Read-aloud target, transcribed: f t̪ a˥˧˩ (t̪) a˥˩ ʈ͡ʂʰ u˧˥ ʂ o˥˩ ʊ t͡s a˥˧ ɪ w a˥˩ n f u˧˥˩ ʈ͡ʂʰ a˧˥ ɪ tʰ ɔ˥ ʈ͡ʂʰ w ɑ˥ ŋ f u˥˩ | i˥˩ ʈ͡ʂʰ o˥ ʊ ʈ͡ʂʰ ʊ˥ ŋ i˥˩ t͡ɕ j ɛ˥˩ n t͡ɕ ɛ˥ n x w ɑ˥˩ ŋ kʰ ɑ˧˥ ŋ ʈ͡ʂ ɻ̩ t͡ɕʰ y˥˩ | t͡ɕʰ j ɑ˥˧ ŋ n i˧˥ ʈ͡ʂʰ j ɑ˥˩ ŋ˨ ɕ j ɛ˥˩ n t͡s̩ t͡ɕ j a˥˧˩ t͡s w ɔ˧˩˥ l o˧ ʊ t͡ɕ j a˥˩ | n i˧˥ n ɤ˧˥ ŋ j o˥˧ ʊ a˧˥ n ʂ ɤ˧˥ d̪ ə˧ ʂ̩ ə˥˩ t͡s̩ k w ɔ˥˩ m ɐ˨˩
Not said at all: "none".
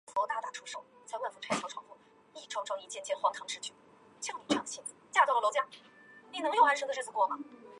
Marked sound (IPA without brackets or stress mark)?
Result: t̪